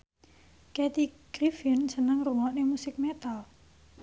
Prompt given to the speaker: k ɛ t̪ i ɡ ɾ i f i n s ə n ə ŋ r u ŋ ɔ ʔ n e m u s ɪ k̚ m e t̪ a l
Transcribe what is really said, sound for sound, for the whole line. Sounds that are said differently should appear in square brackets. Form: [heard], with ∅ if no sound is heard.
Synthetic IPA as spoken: k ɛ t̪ i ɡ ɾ i f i n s ə n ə ŋ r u ŋ ɔ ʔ n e m u s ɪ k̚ m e t̪ a l